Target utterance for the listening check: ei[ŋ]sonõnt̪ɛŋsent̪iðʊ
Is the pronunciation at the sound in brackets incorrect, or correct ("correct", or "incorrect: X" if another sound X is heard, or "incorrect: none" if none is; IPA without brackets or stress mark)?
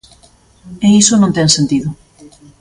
incorrect: none